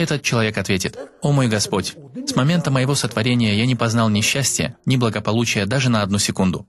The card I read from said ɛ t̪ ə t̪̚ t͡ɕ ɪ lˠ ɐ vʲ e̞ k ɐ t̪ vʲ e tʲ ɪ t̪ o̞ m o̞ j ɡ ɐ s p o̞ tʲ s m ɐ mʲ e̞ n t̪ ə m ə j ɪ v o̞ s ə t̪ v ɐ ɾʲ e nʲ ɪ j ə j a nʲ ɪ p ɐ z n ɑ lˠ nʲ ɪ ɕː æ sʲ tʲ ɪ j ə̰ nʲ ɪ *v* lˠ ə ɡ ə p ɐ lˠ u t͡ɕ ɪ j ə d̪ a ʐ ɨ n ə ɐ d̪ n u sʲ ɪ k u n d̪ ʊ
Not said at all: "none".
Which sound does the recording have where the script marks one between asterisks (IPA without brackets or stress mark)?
b